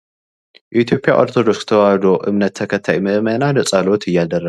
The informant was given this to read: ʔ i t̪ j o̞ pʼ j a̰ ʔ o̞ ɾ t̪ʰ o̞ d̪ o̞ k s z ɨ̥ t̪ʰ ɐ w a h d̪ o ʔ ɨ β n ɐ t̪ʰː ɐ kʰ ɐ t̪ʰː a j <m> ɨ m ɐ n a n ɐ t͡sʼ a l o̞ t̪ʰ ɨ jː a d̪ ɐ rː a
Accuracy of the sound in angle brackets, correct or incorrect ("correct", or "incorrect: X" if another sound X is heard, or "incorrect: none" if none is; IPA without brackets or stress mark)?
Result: correct